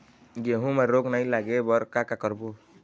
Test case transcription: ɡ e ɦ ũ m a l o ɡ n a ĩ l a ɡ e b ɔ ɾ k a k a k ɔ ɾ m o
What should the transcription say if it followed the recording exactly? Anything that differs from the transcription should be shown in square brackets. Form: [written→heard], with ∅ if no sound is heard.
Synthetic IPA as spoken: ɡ e ɦ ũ m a [l→ɾ] o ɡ n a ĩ l a ɡ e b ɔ ɾ k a k a k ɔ ɾ [m→b] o